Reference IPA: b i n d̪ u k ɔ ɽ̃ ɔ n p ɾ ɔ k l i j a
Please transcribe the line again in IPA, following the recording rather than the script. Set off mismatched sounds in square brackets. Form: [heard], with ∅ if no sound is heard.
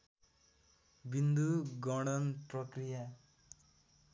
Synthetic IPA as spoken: b i n d̪ u [ɡ] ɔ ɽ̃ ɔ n p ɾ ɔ k [ɾ] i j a